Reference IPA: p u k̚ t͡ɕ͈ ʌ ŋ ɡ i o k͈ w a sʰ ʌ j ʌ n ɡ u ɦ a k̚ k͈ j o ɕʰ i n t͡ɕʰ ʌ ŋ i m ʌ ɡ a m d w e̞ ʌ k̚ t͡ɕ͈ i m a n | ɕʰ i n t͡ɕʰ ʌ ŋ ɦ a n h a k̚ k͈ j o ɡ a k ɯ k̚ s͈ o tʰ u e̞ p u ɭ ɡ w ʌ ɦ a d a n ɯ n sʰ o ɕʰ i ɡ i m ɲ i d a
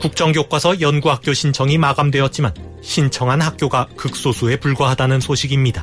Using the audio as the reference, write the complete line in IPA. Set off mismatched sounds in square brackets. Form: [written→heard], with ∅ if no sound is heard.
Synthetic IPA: [p→k] u k̚ t͡ɕ͈ ʌ ŋ ɡ [i→j] o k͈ w a sʰ ʌ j ʌ n ɡ u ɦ a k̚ k͈ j o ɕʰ i n t͡ɕʰ ʌ ŋ i m [ʌ→a] ɡ a m d w e̞ ʌ [k̚→t̚] t͡ɕ͈ i m a n | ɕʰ i n t͡ɕʰ ʌ ŋ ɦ a n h a k̚ k͈ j o ɡ a k ɯ k̚ s͈ o [tʰ→sʰ] u e̞ p u ɭ ɡ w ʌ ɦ a d a n ɯ n sʰ o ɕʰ i ɡ i m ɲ i d a